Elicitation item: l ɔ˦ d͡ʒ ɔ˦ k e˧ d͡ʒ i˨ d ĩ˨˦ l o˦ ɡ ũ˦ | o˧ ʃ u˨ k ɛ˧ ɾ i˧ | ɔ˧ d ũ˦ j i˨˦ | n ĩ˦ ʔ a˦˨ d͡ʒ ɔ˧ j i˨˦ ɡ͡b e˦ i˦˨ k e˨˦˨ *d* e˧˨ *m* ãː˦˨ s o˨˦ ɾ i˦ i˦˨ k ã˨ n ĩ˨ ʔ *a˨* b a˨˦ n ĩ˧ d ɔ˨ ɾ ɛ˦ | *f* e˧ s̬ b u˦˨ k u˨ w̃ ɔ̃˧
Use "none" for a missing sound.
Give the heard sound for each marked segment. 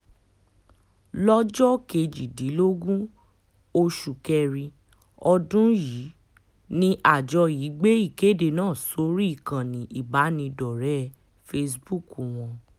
d, n, i˨, f

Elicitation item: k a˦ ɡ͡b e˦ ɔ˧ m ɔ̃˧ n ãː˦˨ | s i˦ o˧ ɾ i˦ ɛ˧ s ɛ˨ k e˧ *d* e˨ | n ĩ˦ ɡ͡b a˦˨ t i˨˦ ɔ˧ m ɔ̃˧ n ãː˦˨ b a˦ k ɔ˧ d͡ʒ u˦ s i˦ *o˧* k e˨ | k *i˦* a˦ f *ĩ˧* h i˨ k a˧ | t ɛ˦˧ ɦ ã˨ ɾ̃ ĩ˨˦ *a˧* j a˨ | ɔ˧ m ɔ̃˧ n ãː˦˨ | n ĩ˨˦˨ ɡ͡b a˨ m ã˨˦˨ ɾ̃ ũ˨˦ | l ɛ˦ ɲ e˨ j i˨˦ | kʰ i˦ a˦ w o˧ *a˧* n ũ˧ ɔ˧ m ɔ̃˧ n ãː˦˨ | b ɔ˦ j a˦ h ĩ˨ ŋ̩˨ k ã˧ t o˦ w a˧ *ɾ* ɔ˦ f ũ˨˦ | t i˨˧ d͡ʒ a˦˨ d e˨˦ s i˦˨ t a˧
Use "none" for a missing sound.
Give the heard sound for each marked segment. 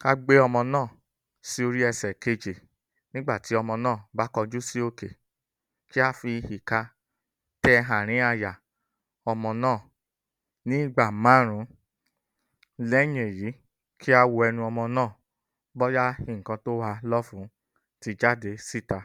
d͡ʒ, o˧, i˦, i˧, a˧, ɛ˧, l

